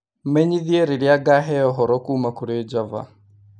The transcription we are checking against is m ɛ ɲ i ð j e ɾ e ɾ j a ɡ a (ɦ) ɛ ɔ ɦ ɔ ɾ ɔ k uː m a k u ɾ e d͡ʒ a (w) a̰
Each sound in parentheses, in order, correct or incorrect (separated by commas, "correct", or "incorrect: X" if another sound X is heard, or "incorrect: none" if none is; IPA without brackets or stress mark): correct, incorrect: v